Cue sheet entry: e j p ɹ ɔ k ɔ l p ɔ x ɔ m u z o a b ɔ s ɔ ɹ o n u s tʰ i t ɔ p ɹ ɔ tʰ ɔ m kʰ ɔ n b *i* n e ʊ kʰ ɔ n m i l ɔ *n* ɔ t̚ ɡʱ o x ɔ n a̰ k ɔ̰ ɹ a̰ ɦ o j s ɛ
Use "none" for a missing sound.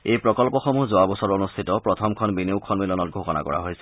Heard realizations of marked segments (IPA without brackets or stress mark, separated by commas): i, n